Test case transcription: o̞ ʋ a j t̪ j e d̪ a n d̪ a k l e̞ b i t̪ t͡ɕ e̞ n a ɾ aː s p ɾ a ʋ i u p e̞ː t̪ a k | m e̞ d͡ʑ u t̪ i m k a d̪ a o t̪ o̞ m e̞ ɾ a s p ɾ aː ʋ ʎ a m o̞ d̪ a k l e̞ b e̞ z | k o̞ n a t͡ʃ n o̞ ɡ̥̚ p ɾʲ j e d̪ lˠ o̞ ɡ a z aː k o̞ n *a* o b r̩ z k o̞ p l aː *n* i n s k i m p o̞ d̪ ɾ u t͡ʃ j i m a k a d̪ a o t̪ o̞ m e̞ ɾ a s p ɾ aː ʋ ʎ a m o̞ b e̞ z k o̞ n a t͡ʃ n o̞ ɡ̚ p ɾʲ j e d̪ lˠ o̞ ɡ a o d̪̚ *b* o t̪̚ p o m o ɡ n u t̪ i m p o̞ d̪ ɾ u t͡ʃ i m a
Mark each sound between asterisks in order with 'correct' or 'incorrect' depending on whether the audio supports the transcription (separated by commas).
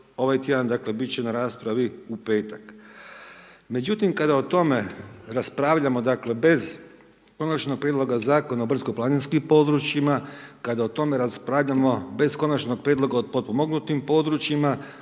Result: correct, correct, incorrect